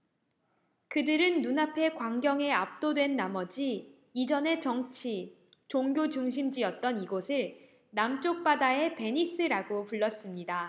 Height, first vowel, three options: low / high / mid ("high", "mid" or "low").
high